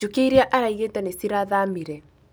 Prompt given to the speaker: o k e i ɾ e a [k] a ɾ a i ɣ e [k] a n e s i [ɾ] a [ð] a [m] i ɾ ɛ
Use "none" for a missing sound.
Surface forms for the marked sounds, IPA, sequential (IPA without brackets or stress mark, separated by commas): ʔ, t, ɾ, ð, m